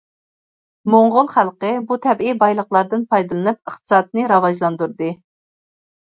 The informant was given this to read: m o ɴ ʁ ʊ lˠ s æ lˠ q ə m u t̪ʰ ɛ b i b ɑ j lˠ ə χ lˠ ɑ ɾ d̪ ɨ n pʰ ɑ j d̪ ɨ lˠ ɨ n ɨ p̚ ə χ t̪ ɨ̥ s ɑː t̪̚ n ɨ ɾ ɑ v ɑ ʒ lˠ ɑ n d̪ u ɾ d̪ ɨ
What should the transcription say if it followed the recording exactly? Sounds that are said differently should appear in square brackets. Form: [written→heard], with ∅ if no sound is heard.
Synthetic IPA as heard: m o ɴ ʁ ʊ lˠ [s→χ] æ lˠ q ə [m→b] u t̪ʰ ɛ b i b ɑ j lˠ ə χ lˠ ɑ ɾ d̪ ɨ n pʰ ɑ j d̪ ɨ lˠ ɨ n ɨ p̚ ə χ t̪ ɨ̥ s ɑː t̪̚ n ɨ ɾ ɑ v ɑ ʒ lˠ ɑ n d̪ u ɾ d̪ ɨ